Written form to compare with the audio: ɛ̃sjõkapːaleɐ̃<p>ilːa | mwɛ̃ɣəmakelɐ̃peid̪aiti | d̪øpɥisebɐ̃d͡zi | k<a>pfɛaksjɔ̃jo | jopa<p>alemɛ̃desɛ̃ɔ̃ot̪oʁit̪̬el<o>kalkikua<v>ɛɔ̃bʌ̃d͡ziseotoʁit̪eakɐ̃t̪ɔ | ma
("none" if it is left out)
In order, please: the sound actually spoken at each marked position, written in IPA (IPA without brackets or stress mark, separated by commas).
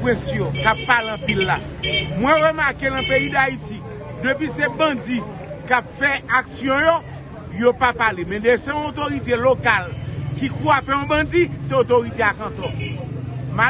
p, a, p, o, f